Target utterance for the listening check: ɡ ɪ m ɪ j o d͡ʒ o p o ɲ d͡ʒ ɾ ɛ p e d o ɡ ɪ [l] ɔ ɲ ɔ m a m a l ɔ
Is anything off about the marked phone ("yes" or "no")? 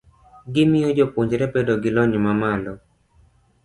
no